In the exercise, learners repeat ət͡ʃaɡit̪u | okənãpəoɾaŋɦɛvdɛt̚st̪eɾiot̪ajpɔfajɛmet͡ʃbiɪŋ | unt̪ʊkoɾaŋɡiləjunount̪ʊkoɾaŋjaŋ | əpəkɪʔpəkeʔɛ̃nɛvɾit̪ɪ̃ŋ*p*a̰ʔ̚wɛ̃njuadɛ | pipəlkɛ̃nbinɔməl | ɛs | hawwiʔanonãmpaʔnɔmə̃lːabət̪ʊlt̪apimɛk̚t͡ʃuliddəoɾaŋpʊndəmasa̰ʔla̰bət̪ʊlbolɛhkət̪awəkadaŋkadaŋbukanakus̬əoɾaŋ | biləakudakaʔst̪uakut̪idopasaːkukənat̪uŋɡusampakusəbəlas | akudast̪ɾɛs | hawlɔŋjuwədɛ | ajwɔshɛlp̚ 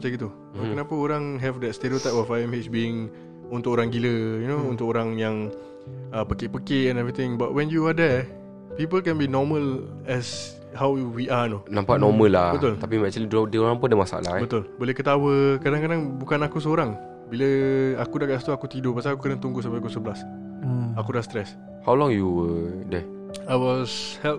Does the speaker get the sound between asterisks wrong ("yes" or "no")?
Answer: yes